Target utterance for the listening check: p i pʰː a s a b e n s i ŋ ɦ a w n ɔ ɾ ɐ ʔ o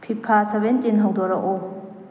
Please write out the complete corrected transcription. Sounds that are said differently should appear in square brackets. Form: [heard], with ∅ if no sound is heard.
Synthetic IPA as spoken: [pʰ] i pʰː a s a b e n [t] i [n] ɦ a w [d] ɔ ɾ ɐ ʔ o